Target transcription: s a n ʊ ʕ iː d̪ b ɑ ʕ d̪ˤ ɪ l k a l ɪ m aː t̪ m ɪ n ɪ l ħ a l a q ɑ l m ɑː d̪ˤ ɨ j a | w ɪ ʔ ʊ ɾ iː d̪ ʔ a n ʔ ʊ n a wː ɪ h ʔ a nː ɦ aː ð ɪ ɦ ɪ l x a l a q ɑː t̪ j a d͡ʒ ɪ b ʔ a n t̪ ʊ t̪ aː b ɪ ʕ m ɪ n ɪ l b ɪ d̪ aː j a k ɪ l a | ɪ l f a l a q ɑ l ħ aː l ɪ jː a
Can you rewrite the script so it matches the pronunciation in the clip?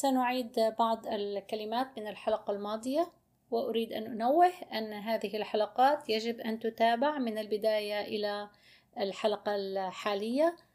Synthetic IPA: s a n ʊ ʕ iː d̪ b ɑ ʕ d̪ˤ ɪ l k a l ɪ m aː t̪ m ɪ n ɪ l ħ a l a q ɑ l m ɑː d̪ˤ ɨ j a | w ɪ ʔ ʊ ɾ iː d̪ ʔ a n ʔ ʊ n a wː ɪ h ʔ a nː ɦ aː ð ɪ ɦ ɪ l ħ a l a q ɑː t̪ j a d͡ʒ ɪ b ʔ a n t̪ ʊ t̪ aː b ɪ ʕ m ɪ n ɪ l b ɪ d̪ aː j a ʔ ɪ l a | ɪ l ħ a l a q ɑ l ħ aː l ɪ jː a